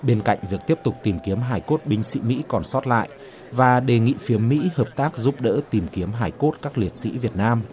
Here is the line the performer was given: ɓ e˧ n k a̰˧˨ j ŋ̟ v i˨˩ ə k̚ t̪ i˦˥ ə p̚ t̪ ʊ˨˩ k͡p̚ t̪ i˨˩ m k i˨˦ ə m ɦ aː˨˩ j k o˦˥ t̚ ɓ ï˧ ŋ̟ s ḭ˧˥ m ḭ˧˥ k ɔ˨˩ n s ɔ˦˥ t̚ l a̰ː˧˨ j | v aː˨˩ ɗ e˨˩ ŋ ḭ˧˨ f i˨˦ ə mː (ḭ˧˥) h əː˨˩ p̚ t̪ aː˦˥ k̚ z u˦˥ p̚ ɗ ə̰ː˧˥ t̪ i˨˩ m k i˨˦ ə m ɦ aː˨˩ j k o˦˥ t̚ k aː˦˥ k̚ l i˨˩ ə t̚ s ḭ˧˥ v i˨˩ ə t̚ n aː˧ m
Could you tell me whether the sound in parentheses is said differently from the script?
no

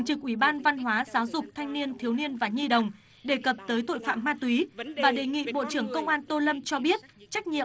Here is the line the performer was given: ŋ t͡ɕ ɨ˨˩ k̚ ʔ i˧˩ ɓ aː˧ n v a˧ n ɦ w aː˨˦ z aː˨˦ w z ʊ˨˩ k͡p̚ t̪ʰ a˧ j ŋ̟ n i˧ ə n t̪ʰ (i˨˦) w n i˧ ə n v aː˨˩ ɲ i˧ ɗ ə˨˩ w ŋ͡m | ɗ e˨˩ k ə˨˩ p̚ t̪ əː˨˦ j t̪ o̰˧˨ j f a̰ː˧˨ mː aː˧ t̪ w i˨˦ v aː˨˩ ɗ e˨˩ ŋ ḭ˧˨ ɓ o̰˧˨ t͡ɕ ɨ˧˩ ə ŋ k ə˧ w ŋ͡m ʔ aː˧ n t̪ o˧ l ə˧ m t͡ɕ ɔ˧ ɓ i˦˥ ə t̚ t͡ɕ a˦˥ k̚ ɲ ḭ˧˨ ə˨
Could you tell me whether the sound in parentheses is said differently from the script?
no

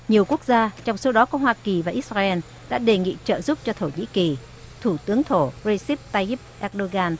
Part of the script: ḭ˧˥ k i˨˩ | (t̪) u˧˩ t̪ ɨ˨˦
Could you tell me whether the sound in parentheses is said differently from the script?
yes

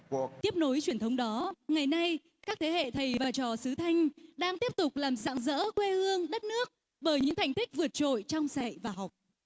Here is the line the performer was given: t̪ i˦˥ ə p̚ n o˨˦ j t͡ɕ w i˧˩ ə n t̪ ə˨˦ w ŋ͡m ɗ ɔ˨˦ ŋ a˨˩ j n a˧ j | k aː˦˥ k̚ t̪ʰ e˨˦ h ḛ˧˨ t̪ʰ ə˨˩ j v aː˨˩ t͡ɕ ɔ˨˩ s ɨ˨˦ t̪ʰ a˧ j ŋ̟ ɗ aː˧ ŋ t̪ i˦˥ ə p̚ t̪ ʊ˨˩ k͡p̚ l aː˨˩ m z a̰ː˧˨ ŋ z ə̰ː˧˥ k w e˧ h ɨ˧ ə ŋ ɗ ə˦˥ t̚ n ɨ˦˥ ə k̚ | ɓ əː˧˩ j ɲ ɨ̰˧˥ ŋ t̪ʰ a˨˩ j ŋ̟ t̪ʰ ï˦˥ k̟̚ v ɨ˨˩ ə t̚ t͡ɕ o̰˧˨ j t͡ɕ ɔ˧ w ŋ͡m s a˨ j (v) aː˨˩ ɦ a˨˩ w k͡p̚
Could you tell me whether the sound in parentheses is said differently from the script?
no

